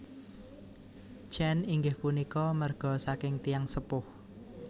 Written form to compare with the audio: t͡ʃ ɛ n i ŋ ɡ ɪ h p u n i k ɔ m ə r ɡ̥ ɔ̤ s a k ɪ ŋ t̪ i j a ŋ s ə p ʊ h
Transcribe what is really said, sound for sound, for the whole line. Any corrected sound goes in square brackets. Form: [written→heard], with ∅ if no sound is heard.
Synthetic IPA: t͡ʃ ɛ n i ŋ ɡ ɪ h p u n i k ɔ m ə r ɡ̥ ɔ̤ s a k ɪ ŋ t̪ i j a ŋ s ə p ʊ h